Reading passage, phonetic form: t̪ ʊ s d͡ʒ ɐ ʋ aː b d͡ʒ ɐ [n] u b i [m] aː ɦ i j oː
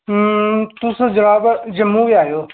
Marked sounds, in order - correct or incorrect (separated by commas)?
incorrect, incorrect